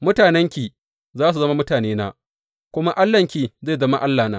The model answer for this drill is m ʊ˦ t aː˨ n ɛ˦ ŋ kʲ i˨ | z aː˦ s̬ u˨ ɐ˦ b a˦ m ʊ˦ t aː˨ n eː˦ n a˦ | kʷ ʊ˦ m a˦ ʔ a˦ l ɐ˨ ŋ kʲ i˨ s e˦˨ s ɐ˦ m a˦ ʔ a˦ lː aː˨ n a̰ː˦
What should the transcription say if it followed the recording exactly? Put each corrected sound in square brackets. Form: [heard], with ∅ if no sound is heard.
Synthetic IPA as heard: m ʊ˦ t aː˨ n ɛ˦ ŋ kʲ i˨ | z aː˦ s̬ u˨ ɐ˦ [m] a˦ m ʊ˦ t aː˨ n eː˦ n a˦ | kʷ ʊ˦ m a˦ ʔ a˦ [lː] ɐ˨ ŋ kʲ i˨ [z] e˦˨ [z] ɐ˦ m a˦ ʔ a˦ lː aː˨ n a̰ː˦